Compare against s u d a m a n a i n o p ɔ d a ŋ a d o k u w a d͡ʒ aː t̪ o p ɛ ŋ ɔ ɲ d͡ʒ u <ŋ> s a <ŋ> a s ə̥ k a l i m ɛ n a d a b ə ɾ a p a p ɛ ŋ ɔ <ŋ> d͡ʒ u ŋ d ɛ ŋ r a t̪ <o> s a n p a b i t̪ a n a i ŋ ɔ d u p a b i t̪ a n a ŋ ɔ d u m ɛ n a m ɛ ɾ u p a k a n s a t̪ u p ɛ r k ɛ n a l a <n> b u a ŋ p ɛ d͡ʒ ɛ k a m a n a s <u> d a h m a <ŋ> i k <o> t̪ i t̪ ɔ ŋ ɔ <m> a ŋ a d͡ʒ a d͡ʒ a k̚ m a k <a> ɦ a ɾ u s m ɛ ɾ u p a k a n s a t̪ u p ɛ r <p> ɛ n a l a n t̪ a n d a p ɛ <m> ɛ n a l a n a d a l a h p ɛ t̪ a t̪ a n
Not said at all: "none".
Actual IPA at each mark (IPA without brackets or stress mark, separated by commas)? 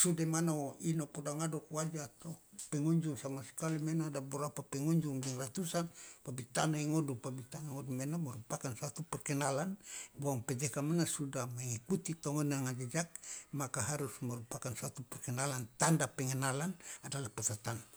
ŋ, m, ɲ, u, n, u, ŋ, u, n, a, k, ŋ